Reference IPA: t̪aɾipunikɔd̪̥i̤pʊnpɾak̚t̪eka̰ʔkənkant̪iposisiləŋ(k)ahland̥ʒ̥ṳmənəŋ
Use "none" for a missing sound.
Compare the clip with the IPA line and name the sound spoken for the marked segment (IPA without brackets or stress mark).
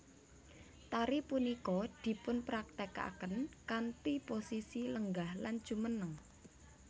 ɡ